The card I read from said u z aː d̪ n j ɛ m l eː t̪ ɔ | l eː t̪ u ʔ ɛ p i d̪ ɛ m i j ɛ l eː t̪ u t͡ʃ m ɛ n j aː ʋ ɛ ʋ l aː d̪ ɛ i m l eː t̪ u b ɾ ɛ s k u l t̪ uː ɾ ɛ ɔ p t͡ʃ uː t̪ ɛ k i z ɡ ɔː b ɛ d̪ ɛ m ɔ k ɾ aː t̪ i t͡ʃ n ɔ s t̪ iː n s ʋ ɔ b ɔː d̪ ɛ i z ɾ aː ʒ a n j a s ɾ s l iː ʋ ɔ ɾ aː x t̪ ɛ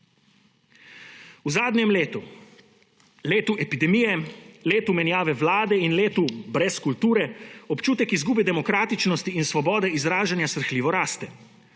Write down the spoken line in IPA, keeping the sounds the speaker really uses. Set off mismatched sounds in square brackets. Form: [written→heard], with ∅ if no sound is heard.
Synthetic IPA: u z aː d̪ n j ɛ m l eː t̪ [ɔ→u] | l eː t̪ u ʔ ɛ p i d̪ ɛ m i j ɛ l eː t̪ u [t͡ʃ→∅] m ɛ n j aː ʋ ɛ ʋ l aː d̪ ɛ i [m→n] l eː t̪ u b ɾ ɛ s k u l t̪ uː ɾ ɛ ɔ p t͡ʃ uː t̪ ɛ k i z ɡ [ɔː→uː] b ɛ d̪ ɛ m ɔ k ɾ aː t̪ i t͡ʃ n ɔ s t̪ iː n s ʋ ɔ b ɔː d̪ ɛ i z ɾ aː ʒ a n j a s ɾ [s→x] l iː ʋ ɔ ɾ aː [x→s] t̪ ɛ